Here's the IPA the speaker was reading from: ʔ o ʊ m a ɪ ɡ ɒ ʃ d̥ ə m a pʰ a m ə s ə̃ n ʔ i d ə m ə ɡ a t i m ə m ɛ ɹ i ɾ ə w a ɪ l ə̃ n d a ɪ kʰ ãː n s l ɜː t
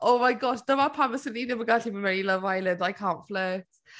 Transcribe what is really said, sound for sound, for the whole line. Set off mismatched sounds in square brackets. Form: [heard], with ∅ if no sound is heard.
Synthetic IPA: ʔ o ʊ m a ɪ ɡ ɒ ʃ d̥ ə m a pʰ a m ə s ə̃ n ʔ i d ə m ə ɡ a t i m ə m ɛ ɹ i [l] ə [v] a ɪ l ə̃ n d a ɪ kʰ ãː n [f] l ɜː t